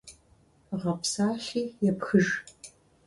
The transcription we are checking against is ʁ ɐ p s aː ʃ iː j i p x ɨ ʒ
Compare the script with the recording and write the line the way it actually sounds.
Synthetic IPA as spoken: ʁ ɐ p s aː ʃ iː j ɛ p x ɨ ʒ